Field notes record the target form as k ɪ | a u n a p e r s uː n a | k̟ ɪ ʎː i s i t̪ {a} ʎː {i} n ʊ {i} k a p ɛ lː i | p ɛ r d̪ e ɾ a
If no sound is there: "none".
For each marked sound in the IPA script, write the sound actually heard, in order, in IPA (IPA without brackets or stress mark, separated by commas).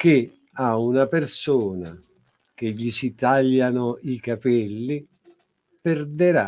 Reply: a, a, i